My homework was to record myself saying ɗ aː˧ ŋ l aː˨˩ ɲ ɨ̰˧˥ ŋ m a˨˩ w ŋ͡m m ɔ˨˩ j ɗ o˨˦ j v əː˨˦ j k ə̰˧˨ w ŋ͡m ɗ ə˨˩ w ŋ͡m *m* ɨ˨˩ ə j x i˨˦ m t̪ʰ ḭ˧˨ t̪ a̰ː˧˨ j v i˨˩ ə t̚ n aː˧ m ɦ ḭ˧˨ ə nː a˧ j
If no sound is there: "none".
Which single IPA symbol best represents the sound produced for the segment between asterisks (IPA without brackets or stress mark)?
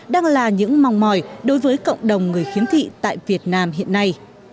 ŋ